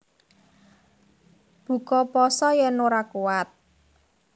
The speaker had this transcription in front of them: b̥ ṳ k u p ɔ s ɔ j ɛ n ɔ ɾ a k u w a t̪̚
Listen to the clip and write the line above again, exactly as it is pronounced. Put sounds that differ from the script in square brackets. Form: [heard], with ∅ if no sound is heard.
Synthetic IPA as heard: b̥ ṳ k [ɔ] p ɔ s ɔ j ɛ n [o] ɾ a k u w a t̪̚

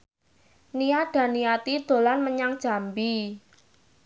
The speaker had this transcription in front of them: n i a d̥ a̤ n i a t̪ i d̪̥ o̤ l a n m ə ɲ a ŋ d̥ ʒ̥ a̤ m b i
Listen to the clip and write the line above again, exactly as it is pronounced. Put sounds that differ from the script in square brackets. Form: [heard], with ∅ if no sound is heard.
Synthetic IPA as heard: n i a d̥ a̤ n i a t̪ i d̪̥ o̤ l a n m ə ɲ a ŋ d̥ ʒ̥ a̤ m b i

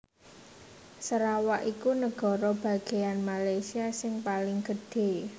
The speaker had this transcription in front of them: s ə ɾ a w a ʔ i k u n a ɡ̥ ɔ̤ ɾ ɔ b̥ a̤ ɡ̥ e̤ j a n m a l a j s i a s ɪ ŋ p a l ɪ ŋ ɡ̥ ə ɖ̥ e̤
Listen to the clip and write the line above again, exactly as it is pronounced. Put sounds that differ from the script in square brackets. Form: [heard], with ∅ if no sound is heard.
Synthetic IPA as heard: s ə ɾ a w a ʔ i k u n [ə] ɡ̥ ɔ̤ ɾ ɔ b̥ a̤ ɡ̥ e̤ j a n m a l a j s i a s ɪ ŋ p a l ɪ ŋ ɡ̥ ə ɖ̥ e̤

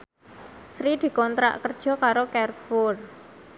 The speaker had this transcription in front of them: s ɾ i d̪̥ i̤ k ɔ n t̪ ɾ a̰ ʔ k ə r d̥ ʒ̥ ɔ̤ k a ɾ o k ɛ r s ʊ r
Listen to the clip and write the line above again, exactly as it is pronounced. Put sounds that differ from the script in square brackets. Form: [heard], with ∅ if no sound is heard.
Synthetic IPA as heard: s ɾ i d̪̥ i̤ k ɔ n t̪ ɾ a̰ ʔ k ə r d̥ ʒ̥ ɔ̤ k a ɾ o k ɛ r [f] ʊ r

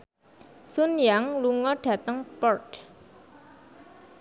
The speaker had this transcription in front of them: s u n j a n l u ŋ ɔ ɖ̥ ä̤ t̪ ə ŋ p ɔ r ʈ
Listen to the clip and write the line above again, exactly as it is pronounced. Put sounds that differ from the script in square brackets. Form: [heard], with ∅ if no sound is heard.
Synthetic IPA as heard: s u n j a [ŋ] l u ŋ ɔ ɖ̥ ä̤ t̪ ə ŋ p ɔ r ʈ

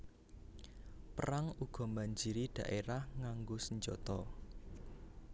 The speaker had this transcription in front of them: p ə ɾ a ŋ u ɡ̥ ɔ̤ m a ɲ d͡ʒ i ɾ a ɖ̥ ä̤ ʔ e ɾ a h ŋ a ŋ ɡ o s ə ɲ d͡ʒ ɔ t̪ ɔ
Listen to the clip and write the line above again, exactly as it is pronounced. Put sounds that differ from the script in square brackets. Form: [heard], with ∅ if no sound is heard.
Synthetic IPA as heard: p ə ɾ a ŋ u ɡ̥ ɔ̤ m a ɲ d͡ʒ i ɾ [i] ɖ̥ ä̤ ʔ e ɾ a h ŋ a ŋ ɡ o s ə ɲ d͡ʒ ɔ t̪ ɔ

